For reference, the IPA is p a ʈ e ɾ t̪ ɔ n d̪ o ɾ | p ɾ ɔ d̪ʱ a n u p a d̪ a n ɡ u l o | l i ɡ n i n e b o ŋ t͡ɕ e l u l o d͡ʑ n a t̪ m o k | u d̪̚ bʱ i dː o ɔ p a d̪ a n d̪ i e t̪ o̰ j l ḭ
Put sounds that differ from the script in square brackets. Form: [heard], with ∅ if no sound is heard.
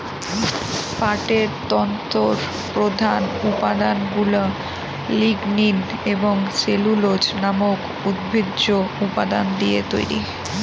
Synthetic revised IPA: p a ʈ e ɾ t̪ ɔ n [t̪] o ɾ | p ɾ [o] d̪ʱ a n u p a d̪ a n ɡ u l o | l i ɡ n i n e b o ŋ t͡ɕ e l u l o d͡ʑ n a [∅] m o k | u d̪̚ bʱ i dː o [u] p a d̪ a n d̪ i e t̪ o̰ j [ɾ] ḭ